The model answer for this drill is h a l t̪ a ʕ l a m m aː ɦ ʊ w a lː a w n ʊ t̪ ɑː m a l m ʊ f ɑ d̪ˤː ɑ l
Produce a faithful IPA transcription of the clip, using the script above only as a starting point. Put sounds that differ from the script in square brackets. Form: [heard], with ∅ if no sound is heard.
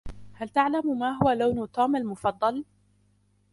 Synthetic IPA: h a l t̪ a ʕ l a m m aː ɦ ʊ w a [l] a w n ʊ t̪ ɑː m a l m ʊ f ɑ d̪ˤː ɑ l